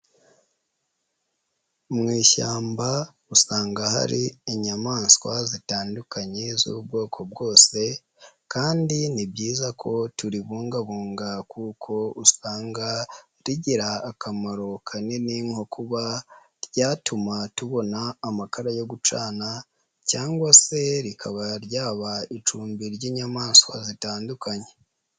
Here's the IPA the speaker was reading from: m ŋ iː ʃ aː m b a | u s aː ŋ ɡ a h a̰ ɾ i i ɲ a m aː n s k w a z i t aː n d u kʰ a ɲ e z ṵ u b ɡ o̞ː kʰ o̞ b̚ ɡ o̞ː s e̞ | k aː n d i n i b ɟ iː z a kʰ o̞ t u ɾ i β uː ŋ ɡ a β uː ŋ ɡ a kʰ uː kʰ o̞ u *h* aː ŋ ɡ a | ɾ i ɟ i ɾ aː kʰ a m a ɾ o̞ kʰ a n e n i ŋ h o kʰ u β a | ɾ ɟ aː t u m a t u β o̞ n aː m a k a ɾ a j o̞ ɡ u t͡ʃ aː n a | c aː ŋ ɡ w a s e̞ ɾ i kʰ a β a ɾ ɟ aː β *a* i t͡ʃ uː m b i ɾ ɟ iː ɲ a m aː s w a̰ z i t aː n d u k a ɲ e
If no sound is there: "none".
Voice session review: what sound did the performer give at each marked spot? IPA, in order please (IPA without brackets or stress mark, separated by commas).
s, a